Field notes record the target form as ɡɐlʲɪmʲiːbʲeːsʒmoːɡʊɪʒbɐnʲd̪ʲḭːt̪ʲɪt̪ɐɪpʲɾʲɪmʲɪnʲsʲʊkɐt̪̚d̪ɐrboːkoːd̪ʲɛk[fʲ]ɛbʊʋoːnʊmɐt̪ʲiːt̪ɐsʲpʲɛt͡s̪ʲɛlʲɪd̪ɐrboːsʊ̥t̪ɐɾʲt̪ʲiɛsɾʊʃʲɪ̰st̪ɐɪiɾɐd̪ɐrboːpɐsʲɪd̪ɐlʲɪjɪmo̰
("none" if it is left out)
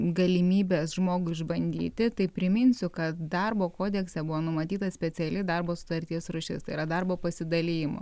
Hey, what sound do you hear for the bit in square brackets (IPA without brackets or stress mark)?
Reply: sʲ